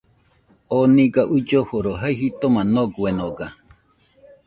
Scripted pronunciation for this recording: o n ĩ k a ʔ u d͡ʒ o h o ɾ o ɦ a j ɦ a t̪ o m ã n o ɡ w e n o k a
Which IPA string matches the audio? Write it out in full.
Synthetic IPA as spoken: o n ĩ ɡ a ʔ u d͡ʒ o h o ɾ o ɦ a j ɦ i t̪ o m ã n o ɡ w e n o ɡ a

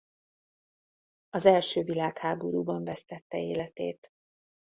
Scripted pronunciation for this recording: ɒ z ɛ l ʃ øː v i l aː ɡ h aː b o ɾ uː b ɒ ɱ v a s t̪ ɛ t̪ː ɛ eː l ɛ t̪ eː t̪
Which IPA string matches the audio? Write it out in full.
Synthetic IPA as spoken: ɒ z ɛ l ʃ øː v i l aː k h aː b o ɾ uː b ɒ ɱ v ɛ s t̪ ɛ t̪ː ɛ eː l ɛ t̪ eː t̪

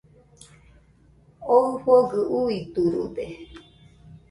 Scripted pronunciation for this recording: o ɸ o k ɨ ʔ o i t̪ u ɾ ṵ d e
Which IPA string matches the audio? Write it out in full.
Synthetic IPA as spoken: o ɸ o ɡ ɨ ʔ u i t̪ u ɾ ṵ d e

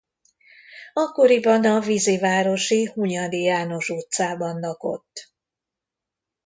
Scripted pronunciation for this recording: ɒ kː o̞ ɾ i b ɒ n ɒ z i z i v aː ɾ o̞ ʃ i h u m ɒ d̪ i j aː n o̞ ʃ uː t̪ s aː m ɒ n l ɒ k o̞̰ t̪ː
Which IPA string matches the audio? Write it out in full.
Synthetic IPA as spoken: ɒ kː o̞ ɾ i b ɒ n ɒ v i z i v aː ɾ o̞ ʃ i h u ɲ ɒ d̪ i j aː n o̞ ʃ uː t̪ s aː b ɒ n l ɒ k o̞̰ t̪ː

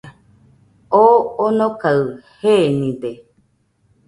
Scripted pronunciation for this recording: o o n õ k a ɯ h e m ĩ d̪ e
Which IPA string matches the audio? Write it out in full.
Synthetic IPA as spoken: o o n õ k a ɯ h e n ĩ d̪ e

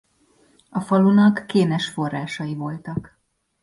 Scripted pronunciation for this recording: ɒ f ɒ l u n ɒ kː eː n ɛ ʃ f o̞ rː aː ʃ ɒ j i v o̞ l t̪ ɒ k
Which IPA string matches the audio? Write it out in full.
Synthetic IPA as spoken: ɒ f ɒ l u n ɒ kː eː n ɛ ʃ f o̞ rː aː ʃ ɒ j i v o̞ l t̪ ɒ k

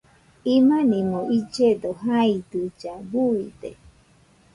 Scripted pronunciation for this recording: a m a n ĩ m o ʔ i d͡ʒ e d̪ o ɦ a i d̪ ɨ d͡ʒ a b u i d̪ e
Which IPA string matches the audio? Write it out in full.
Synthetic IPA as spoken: i m a n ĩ m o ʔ i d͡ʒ e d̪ o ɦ a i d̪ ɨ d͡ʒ a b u i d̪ e

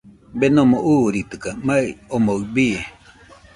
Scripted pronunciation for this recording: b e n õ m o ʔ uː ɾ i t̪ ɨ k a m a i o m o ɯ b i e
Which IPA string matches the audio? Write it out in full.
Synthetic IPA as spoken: b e n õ m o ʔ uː ɾ i t̪ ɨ k a m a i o m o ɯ b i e

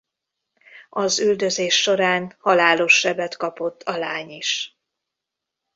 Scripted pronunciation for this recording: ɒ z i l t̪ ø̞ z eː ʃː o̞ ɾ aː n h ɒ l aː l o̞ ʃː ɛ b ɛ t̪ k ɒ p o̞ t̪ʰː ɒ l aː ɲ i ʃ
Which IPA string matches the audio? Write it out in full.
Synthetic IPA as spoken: ɒ z y l d̪ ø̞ z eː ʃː o̞ ɾ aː n h ɒ l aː l o̞ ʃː ɛ b ɛ t̪ k ɒ p o̞ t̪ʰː ɒ l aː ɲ i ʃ

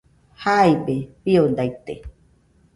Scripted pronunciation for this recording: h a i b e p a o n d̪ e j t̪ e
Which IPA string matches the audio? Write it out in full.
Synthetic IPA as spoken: h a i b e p i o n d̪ a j t̪ e

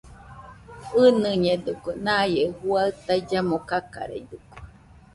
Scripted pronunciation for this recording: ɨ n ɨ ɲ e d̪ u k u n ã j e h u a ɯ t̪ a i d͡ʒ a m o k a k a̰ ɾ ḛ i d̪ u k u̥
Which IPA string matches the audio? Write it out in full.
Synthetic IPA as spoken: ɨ n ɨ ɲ e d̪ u k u n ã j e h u a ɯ t̪ a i d͡ʒ a m o k a k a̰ ɾ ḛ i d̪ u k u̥

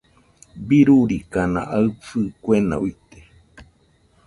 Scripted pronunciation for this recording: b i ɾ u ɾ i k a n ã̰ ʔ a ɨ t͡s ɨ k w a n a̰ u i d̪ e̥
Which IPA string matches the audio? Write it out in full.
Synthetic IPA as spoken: b i ɾ u ɾ i k a n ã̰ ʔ a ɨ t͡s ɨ k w e n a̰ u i t̪ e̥

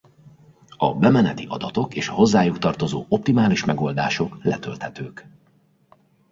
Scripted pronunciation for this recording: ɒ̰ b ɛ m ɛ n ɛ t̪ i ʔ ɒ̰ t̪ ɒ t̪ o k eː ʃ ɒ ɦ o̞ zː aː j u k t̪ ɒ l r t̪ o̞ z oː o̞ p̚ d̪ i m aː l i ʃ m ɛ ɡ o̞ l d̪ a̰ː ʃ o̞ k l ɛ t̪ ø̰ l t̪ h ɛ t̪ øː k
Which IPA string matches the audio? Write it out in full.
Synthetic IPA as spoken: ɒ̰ b ɛ m ɛ n ɛ t̪ i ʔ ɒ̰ d̪ ɒ t̪ o k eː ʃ ɒ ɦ o̞ zː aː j u k t̪ ɒ r t̪ o̞ z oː o̞ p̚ t̪ i m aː l i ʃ m ɛ ɡ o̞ l d̪ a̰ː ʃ o̞ k l ɛ t̪ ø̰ l t̪ h ɛ t̪ øː k

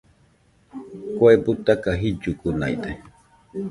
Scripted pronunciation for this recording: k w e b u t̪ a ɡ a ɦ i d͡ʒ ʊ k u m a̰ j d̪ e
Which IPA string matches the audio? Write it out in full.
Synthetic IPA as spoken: k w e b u t̪ a k a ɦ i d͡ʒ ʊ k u n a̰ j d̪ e

